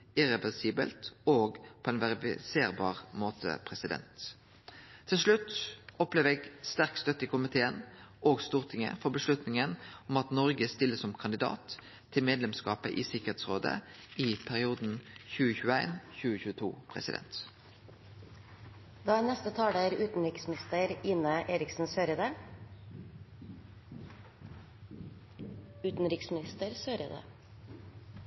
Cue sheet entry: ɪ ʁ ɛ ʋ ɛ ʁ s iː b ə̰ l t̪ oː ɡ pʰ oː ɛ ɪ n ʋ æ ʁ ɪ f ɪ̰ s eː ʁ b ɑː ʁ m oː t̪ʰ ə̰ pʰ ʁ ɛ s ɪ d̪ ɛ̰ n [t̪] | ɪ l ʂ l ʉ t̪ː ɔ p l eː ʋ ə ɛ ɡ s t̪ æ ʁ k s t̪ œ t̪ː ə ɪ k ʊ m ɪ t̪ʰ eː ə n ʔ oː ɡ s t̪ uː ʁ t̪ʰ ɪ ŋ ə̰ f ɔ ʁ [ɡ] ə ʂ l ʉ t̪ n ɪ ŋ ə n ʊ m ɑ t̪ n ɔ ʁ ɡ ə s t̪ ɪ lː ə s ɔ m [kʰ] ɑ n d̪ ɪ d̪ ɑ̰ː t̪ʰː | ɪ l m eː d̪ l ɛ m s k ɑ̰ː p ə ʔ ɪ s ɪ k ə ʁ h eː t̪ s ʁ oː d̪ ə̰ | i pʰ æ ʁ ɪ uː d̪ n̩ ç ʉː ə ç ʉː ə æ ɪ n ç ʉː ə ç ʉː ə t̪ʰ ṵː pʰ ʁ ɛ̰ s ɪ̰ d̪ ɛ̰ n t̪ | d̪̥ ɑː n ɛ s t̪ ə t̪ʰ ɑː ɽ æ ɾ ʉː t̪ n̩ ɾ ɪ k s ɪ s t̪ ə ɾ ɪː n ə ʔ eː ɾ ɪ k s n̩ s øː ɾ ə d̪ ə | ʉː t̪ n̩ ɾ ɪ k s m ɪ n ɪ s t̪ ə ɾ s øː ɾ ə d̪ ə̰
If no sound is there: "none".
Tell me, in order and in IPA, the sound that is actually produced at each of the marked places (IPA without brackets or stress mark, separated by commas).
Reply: t̪ʰ, b, kʰ